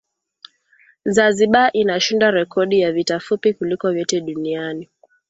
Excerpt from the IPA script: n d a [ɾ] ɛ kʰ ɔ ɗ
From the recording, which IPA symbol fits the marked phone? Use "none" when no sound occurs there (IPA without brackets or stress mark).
ɾ